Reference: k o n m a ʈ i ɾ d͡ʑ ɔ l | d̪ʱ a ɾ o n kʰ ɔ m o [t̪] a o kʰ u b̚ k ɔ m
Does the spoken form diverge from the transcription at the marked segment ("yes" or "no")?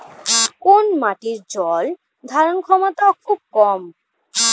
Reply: no